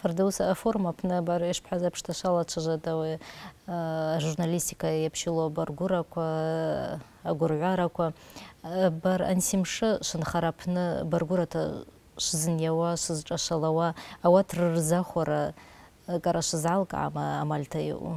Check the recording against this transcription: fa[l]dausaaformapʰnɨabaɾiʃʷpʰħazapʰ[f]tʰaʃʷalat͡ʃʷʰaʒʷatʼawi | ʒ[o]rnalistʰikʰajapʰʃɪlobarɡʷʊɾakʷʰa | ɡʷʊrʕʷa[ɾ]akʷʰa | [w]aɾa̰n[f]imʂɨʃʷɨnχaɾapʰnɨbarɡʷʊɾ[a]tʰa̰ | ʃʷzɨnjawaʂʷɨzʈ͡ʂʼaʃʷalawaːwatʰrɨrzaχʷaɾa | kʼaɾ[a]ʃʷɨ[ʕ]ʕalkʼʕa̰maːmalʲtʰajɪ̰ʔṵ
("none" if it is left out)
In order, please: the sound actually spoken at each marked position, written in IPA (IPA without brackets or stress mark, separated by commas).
r, ʂ, u, ɾ, b, s, a, a, z